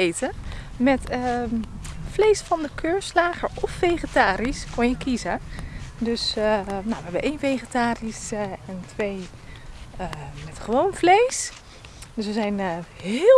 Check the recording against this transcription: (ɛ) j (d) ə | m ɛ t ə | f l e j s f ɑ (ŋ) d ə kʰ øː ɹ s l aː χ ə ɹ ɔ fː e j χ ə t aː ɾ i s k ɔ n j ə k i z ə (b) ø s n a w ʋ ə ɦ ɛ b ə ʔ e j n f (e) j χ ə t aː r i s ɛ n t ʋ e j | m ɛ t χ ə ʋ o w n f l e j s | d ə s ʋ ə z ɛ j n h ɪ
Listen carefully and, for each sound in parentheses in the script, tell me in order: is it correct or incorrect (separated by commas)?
incorrect, incorrect, incorrect, incorrect, correct